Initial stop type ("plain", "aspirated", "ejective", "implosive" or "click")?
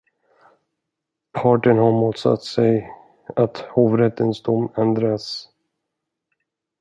aspirated